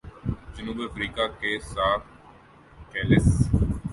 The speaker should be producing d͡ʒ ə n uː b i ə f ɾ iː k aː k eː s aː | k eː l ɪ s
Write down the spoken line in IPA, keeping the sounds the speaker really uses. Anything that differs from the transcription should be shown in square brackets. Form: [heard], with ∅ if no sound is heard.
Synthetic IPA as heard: d͡ʒ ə n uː b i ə f ɾ iː k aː k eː s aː | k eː l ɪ s